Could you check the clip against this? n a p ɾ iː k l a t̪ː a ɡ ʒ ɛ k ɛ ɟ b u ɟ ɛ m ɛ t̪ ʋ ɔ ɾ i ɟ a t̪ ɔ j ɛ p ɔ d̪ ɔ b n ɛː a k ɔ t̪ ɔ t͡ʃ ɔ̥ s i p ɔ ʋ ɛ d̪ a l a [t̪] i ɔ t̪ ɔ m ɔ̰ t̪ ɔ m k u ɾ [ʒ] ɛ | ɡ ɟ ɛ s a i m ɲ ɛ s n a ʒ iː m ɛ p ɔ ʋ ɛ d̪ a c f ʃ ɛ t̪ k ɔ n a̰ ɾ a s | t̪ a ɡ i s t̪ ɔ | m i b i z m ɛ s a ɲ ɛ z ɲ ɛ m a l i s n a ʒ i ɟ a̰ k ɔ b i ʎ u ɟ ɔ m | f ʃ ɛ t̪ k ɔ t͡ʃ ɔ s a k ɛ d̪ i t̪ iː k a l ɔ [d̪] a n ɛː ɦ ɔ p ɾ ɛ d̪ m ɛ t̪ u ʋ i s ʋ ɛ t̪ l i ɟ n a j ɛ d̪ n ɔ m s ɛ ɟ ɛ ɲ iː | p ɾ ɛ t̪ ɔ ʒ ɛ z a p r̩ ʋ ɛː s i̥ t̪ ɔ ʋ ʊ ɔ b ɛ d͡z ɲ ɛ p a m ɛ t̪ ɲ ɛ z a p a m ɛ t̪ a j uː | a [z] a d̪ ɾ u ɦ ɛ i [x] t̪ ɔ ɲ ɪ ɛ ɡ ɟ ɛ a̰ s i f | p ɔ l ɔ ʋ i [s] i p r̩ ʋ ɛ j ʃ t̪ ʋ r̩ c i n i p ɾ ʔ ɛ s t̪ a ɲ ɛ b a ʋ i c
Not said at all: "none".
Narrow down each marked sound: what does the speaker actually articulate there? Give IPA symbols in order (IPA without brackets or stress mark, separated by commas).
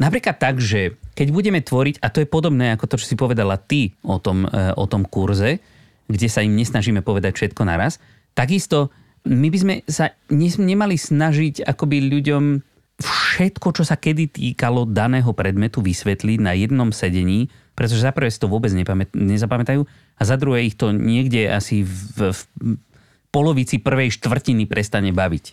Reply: t̪, z, d̪, z, x, t͡s